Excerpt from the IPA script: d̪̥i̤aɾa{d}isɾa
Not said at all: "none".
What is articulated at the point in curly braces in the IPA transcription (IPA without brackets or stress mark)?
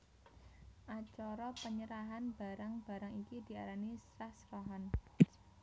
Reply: n